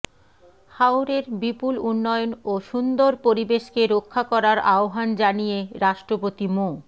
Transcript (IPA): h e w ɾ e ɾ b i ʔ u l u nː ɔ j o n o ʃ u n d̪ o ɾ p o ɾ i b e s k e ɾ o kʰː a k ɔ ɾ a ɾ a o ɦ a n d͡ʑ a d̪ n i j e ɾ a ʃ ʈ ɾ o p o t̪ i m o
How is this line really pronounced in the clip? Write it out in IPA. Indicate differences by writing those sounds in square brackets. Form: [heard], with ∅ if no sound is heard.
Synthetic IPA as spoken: h [a] w ɾ e ɾ b i [p] u l u nː ɔ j o n o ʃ u n d̪ o ɾ p o ɾ i b e [ʃ] k e ɾ o kʰː a k ɔ ɾ a ɾ a o ɦ a n d͡ʑ a [∅] n i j e ɾ a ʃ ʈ ɾ o p o t̪ i m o